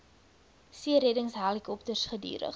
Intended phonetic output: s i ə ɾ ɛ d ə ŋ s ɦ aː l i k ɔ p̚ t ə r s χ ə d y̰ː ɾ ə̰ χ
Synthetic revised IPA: s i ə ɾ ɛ d ə ŋ s ɦ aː l i k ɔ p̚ t ə r s χ ə d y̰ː ɾ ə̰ χ

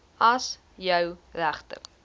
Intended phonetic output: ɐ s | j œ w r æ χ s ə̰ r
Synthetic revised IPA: ɐ s | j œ w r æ χ t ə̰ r

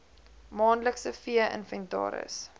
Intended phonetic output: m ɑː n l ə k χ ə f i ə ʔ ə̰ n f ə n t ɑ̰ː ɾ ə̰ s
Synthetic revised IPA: m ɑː n l ə k s ə f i ə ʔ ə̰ n f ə n t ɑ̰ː ɾ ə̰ s

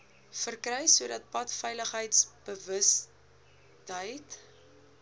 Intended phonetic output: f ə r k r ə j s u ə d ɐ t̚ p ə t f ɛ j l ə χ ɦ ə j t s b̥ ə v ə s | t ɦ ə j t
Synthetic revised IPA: f ə r k r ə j s u ə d ɐ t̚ p ɐ t f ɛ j l ə χ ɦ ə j t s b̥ ə v ə s | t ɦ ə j t

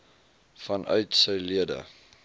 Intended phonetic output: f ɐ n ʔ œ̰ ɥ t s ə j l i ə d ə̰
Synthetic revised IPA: f ɐ n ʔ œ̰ ɥ t s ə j l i ə d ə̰

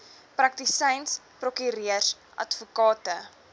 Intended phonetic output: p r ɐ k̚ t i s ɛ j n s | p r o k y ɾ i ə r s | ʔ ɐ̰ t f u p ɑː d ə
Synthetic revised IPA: p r ɐ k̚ t i s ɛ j n s | p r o k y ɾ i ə r s | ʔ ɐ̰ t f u k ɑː t ə

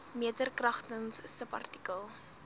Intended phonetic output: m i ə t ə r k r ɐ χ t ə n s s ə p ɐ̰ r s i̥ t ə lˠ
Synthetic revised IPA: m i ə t ə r k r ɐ χ t ə n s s ə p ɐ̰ r t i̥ k ə lˠ

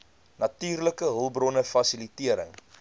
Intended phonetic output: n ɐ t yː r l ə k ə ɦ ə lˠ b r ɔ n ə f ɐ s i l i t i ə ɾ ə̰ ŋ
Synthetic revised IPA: n ɐ t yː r l ə k ə ɦ ə lˠ b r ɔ n ə f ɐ s i l i t i ə ɾ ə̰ ŋ

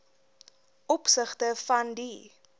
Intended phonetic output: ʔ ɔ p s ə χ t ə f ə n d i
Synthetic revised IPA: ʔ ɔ p s ə χ t ə f ɐ n d i

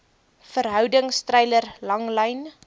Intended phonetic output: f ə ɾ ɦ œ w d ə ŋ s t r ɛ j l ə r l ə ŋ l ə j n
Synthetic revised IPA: f ə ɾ ɦ œ w d ə ŋ s t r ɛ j l ə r l ɐ ŋ l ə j n

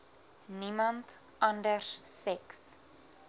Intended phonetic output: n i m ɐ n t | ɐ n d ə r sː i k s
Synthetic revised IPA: n i m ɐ n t | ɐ n d ə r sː ɛ k s

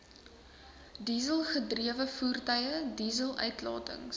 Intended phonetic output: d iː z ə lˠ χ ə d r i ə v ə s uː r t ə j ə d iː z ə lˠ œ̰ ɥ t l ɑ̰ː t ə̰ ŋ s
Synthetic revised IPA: d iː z ə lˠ χ ə d r i ə v ə f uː r t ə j ə d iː z ə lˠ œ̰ ɥ t l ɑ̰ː t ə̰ ŋ s

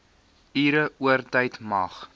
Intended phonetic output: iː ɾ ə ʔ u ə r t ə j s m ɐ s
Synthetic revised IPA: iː ɾ ə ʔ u ə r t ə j t m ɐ χ

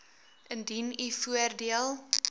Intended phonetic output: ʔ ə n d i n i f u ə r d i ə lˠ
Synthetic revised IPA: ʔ ə n d i n i f u ə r d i ə lˠ

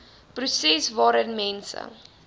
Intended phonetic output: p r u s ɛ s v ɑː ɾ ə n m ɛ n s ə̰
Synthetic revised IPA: p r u s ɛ s v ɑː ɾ ə n m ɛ n s ə̰

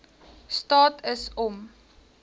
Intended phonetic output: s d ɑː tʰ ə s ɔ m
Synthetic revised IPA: s t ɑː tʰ ə s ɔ m

